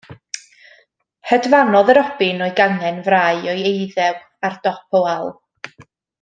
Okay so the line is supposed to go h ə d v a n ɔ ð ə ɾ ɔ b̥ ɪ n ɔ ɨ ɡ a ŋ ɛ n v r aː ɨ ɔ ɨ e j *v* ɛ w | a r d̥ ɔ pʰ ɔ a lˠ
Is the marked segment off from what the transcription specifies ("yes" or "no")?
yes